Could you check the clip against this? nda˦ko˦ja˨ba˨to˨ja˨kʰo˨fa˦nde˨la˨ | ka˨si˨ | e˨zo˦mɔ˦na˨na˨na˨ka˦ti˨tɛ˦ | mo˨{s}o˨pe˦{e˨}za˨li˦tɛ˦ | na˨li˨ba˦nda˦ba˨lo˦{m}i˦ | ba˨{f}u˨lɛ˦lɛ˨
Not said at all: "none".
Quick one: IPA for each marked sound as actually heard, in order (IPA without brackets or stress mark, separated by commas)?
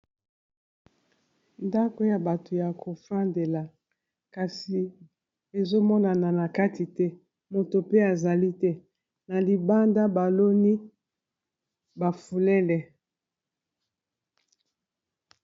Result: t, a˨, n, f